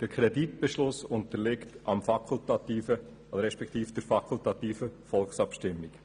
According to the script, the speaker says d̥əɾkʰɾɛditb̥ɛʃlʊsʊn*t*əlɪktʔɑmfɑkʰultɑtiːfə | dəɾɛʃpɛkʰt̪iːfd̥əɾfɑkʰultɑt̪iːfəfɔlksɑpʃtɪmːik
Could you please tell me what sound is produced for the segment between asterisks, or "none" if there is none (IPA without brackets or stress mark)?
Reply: t